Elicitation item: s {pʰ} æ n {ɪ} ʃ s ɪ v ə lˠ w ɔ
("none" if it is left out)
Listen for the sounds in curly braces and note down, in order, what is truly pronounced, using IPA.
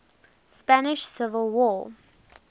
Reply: p, ɪ

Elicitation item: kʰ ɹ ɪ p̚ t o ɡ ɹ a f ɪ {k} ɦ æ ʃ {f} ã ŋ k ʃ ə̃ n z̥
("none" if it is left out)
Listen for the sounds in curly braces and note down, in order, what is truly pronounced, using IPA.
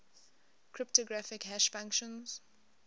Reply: k, f

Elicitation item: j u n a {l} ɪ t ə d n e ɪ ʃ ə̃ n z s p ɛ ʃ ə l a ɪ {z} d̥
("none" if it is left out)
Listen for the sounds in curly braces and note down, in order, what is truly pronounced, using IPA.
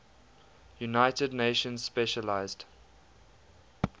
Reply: none, z

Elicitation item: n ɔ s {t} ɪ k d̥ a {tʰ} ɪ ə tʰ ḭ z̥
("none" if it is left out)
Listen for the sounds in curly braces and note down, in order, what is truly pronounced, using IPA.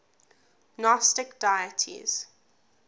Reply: t, none

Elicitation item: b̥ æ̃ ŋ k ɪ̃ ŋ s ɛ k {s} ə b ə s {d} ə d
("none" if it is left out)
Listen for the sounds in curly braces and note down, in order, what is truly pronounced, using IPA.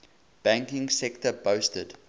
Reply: t, t

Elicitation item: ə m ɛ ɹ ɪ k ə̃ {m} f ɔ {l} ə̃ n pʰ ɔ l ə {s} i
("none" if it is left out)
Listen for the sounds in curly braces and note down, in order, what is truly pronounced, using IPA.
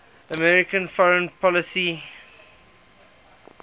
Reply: n, ɹ, s

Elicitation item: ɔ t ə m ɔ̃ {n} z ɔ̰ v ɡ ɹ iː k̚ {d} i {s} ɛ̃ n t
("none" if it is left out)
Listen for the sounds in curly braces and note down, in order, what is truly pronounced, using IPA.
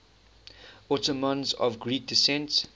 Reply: n, d, s

